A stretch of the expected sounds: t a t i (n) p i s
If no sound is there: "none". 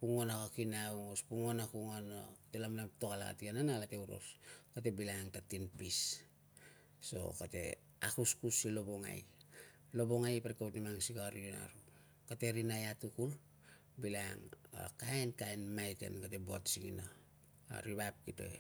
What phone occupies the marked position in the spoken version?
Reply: n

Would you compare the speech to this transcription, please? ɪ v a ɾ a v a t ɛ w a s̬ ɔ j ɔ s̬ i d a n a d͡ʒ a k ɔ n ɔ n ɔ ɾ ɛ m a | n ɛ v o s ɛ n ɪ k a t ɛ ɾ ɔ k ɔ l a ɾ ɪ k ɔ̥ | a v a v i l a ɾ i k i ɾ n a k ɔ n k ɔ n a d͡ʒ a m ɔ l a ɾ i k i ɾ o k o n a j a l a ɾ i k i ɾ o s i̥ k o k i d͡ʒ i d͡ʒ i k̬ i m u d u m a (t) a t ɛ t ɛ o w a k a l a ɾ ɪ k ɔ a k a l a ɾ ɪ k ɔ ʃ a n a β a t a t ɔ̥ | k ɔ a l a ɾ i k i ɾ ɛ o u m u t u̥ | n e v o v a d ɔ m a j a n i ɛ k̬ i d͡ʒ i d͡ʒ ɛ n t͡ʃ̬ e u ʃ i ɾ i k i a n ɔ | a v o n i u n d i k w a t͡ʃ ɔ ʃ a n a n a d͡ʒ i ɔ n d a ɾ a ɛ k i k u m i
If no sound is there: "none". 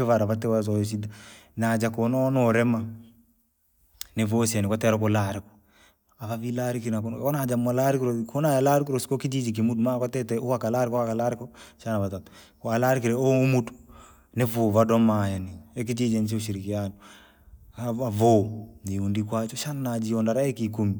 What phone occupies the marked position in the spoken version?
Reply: k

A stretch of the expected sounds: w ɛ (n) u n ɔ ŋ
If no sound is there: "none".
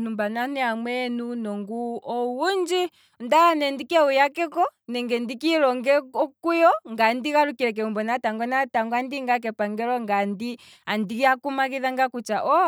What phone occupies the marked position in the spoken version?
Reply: n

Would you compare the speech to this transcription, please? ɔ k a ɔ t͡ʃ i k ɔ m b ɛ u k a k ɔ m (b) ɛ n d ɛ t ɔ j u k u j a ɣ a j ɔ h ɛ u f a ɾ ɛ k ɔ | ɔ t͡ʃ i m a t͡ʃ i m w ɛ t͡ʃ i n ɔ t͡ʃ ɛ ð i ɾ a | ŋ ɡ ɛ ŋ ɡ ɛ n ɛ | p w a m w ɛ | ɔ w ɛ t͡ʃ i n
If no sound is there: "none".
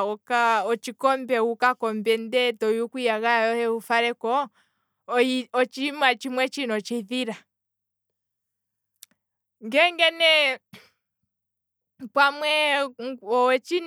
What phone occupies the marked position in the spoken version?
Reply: b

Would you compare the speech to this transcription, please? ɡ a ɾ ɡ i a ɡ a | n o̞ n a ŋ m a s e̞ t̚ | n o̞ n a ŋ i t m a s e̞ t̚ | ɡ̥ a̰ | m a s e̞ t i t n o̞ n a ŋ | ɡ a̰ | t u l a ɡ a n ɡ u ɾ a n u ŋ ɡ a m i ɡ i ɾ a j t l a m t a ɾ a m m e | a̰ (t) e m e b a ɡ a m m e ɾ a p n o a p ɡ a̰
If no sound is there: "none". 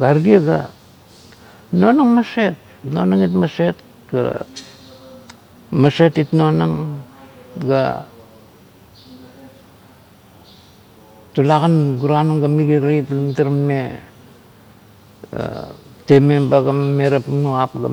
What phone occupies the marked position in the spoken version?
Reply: t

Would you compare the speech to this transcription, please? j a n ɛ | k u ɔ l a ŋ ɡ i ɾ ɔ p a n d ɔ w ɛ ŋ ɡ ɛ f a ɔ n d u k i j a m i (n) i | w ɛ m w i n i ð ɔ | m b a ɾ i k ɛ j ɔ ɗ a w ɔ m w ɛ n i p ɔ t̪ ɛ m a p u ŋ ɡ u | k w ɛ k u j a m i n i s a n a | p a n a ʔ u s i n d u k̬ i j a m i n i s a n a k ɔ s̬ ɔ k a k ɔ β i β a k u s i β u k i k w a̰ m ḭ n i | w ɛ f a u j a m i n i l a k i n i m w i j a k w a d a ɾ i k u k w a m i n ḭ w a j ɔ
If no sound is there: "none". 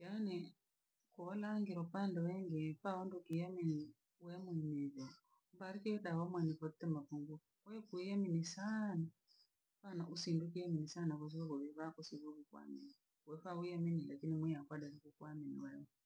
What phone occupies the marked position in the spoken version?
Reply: n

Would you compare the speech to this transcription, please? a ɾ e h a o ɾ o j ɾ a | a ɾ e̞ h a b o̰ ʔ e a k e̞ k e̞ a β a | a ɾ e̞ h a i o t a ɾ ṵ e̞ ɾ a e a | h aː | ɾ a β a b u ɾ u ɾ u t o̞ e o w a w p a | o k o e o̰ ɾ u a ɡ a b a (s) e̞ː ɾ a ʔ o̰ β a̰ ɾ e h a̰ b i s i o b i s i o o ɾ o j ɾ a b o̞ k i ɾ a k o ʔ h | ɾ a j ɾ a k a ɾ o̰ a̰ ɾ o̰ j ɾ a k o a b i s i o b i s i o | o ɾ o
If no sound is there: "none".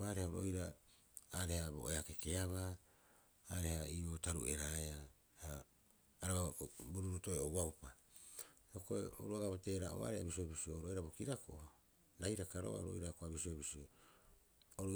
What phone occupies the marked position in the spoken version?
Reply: t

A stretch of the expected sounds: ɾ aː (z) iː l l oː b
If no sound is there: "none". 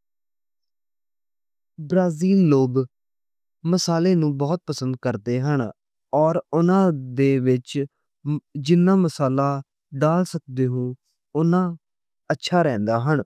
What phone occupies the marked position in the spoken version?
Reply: z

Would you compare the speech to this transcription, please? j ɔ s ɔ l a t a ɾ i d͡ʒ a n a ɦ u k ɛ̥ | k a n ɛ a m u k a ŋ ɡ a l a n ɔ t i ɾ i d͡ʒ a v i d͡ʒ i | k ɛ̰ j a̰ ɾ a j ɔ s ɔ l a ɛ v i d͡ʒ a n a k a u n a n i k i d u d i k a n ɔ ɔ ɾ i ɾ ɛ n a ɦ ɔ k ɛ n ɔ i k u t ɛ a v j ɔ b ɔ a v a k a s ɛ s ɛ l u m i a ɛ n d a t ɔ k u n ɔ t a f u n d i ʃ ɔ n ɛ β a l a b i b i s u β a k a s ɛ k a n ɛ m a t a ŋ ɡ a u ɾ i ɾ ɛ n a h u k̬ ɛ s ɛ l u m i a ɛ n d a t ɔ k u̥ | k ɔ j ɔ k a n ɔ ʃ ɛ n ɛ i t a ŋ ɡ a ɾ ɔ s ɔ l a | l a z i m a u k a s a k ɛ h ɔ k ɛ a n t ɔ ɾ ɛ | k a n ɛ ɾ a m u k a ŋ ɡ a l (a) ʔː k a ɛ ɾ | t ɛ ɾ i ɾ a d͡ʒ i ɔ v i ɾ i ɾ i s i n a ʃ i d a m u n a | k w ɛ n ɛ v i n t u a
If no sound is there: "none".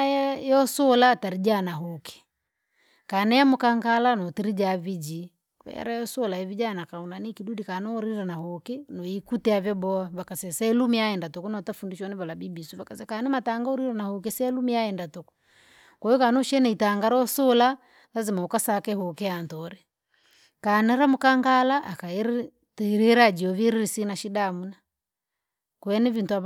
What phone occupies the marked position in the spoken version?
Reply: a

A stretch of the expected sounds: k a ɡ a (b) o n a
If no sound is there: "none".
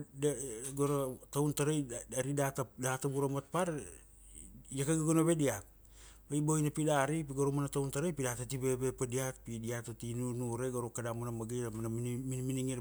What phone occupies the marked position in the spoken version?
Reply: ɡ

